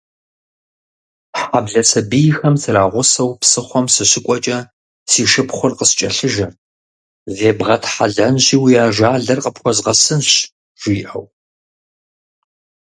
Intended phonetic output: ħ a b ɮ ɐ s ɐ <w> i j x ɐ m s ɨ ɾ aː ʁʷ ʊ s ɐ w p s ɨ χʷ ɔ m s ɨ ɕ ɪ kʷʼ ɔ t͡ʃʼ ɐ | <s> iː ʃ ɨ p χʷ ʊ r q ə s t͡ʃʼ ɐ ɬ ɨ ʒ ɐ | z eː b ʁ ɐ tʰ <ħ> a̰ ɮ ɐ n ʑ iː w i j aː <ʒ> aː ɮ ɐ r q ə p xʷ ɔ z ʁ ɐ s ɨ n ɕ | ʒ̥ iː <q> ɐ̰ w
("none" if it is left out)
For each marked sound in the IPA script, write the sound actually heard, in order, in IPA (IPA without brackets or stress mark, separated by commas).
b, s, ħ, ʒ, ʔ